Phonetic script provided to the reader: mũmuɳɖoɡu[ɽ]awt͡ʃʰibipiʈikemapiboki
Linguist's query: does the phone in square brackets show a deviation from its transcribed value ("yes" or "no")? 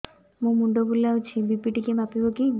yes